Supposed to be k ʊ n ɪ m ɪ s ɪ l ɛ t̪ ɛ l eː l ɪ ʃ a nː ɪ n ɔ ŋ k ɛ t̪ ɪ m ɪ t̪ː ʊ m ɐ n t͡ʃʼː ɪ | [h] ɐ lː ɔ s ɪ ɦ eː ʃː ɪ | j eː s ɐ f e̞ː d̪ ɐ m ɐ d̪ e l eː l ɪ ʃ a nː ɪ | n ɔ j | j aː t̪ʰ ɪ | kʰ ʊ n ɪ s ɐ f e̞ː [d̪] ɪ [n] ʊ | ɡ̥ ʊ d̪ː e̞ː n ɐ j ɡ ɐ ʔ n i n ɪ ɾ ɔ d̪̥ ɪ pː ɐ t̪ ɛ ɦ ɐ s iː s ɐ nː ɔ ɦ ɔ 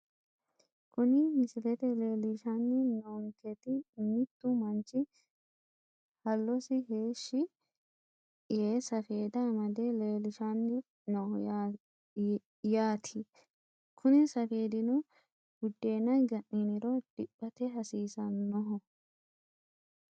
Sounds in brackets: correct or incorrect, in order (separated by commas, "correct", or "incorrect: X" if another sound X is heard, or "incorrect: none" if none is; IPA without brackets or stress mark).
correct, correct, correct